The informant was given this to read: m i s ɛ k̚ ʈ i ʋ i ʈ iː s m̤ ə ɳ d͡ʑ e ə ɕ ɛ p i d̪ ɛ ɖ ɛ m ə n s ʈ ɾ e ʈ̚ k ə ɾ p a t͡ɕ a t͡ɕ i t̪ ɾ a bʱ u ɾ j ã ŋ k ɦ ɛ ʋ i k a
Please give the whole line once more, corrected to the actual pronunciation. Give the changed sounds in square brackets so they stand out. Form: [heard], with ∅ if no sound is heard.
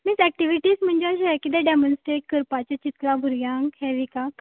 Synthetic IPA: m i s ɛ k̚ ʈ i ʋ i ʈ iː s m̤ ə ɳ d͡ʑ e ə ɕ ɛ [k] i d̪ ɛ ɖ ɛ m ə n s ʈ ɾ e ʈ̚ k ə ɾ p a t͡ɕ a t͡ɕ i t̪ [l] a bʱ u ɾ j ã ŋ k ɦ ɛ ʋ i k a